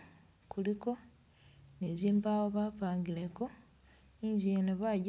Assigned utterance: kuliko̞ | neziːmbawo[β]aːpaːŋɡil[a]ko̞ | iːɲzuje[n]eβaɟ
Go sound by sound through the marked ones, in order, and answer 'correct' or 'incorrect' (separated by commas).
correct, incorrect, correct